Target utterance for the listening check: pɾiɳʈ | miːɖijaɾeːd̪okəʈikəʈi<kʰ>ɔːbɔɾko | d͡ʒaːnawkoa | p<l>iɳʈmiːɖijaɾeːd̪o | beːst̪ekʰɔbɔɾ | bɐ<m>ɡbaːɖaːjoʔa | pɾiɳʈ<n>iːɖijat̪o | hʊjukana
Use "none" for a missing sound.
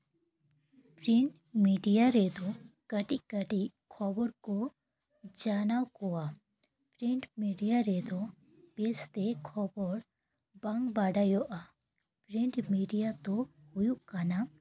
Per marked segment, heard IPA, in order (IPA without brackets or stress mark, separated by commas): kʰ, ɾ, ŋ, m